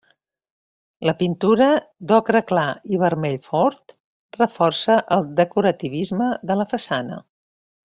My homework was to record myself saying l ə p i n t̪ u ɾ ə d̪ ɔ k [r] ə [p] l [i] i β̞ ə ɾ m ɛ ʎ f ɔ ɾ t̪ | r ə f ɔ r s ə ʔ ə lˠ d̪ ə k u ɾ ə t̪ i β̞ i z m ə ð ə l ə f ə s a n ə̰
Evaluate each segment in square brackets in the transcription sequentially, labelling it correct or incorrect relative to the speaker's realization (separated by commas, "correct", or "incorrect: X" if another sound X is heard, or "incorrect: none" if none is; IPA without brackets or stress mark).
incorrect: ɾ, incorrect: k, incorrect: a